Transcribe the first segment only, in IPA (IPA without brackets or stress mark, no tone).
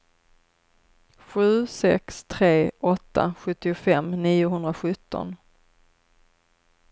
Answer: ɧ